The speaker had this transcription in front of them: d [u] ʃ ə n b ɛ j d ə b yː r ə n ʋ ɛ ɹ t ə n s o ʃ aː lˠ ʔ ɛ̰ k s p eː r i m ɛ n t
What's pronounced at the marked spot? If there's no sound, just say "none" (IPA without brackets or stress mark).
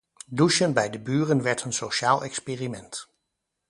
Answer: u